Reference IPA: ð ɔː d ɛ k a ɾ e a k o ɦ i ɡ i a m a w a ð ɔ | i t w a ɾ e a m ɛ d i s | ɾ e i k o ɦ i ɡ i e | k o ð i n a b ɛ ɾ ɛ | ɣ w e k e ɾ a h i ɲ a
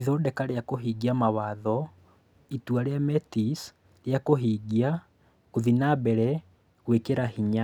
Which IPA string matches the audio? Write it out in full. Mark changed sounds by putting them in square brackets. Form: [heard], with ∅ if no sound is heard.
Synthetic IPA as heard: ð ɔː d ɛ k a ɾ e a k o ɦ i ɡ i a m a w a ð ɔ | i t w a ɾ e a m ɛ [t] i s | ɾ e [a] k o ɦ i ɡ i [a] | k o ð i n a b ɛ ɾ ɛ | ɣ w e k e ɾ a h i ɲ a